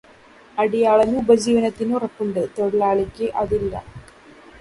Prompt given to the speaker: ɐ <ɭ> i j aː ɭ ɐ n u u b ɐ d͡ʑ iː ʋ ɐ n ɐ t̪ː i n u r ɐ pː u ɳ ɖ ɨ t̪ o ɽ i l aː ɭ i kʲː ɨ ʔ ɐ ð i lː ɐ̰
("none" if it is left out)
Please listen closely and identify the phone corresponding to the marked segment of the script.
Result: ɽ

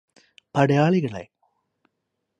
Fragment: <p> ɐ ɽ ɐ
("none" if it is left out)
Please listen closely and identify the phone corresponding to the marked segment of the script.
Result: p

